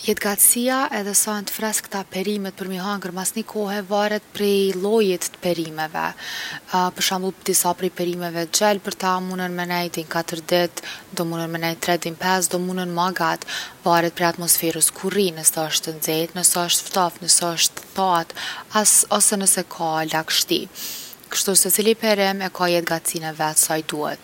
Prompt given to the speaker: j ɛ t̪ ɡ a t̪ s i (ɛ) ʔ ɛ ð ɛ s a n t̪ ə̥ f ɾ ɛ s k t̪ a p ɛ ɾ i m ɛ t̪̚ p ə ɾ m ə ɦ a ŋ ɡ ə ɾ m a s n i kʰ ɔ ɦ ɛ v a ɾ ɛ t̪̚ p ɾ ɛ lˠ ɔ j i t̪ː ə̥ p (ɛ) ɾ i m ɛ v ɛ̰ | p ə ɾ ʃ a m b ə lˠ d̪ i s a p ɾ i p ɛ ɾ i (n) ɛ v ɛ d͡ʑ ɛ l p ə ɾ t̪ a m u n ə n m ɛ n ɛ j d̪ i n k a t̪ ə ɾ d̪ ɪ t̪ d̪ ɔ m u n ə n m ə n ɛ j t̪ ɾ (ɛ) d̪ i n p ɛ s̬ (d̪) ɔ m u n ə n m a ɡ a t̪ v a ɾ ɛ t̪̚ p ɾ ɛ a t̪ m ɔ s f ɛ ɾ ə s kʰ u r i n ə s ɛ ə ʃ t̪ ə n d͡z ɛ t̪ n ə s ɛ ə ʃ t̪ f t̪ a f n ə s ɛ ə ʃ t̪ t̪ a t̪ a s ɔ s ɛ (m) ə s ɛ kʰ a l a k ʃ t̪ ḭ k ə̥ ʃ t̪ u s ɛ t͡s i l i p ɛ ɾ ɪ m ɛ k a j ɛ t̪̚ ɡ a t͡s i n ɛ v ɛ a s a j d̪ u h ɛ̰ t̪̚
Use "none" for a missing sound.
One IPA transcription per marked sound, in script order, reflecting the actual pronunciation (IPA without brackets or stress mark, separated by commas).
a, ɛ, m, ɛ, d̪, n